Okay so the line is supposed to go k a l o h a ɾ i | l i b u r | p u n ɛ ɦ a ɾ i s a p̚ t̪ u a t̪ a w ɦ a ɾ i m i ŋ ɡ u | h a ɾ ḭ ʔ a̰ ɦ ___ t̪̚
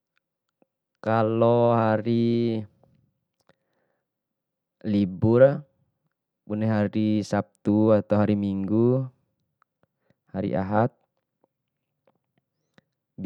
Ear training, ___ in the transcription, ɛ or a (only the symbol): a